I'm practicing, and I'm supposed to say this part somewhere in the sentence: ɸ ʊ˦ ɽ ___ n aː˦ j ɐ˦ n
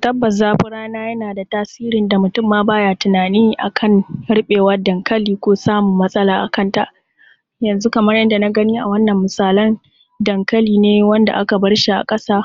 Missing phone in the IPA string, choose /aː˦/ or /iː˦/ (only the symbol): aː˦